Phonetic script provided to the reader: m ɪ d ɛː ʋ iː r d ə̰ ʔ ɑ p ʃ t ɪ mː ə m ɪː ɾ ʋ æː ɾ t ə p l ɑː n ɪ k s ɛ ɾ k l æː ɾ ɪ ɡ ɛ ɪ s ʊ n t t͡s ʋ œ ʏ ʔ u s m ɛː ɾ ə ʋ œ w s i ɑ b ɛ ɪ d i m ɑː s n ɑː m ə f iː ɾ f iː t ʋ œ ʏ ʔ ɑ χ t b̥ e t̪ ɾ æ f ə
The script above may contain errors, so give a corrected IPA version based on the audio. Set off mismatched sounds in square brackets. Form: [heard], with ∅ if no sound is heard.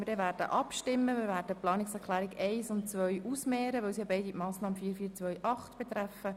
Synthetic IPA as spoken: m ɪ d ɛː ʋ [æː] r d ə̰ ʔ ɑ p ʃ t ɪ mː ə m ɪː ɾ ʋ æː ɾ [d] ə p l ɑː n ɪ k s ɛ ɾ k l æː ɾ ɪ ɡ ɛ ɪ s ʊ n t t͡s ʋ œ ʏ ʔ u s m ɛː ɾ ə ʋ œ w s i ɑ b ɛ ɪ d i m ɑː s n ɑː m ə f iː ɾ f iː [t͡s] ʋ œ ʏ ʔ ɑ χ t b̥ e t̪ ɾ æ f ə